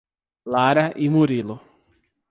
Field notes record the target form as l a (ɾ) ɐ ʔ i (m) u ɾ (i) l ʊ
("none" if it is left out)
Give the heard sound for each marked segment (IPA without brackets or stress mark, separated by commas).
ɾ, m, i